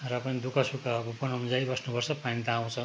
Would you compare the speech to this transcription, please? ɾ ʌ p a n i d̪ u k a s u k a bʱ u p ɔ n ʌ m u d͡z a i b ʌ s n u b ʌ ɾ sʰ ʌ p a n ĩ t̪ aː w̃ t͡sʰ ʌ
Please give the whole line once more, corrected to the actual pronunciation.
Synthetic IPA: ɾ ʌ p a n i d̪ u k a s u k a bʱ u p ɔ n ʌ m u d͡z a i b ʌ s n u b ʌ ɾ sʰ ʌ p a n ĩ t̪ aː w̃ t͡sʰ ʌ